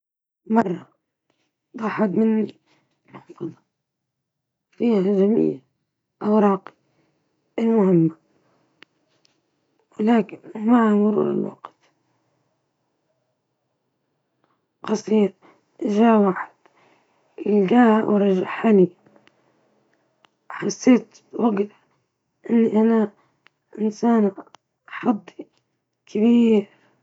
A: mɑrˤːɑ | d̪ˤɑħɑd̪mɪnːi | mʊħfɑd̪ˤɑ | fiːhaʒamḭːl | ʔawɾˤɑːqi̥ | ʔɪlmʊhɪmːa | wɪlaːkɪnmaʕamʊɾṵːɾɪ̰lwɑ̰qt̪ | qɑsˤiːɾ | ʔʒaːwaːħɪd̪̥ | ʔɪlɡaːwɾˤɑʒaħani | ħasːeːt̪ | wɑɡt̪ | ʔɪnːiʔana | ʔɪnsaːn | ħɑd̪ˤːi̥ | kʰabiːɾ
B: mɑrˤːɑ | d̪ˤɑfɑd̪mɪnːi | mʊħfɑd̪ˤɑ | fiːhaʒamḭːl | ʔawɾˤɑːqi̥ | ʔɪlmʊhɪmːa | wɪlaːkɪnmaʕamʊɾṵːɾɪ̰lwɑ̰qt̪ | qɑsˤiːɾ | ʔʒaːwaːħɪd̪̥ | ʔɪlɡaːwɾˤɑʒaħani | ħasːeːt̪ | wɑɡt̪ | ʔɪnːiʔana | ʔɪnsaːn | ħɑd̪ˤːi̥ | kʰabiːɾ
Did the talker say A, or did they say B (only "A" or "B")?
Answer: A